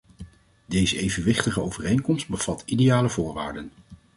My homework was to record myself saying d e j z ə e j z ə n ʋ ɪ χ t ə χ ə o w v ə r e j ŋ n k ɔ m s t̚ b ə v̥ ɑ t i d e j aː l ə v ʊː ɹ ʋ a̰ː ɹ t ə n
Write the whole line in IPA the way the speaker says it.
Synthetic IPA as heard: d e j z ə e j v ə n ʋ ɪ χ t ə χ ə o w v ə r e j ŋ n k ɔ m s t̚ b ə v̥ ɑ t i d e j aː l ə v ʊː ɹ ʋ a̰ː ɹ d ə n